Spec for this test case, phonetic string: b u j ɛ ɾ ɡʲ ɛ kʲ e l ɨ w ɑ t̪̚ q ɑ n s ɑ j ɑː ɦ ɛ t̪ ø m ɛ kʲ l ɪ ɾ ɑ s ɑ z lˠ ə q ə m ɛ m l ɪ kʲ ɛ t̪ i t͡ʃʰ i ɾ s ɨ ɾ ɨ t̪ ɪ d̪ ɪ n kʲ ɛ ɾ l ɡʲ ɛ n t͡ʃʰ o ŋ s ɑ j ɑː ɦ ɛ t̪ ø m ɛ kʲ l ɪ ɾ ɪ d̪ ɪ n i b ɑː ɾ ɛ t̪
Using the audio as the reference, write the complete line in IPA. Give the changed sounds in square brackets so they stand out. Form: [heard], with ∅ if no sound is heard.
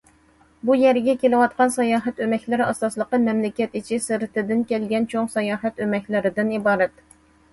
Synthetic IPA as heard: b u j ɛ ɾ ɡʲ ɛ kʲ e l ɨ w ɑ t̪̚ q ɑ n s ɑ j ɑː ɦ ɛ t̪ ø m ɛ kʲ l ɪ ɾ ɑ s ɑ [s] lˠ ə q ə m ɛ m l ɪ kʲ ɛ t̪ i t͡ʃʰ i [∅] s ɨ ɾ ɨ t̪ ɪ d̪ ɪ n kʲ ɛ [∅] l ɡʲ ɛ n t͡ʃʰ o ŋ s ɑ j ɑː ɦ ɛ t̪ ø m ɛ kʲ l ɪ ɾ ɪ d̪ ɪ n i b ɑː ɾ ɛ t̪